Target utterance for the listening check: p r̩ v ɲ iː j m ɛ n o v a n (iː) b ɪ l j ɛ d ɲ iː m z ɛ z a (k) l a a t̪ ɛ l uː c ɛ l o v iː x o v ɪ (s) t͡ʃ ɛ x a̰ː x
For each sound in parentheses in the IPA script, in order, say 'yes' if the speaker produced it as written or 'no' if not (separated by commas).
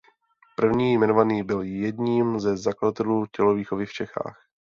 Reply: yes, yes, no